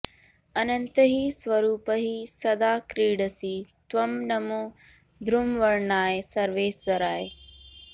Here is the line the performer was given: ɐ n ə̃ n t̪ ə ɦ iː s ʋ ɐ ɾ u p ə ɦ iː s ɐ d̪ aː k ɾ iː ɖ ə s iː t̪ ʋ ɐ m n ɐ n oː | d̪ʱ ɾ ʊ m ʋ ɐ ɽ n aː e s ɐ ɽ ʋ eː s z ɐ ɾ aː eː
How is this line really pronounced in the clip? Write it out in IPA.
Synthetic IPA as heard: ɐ n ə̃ n t̪ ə ɦ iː s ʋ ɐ ɾ uː p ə ɦ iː s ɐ d̪ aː k ɾ iː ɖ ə s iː t̪ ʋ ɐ m n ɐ m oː | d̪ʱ ɾ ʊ m ʋ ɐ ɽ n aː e s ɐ ɾ ʋ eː s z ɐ ɾ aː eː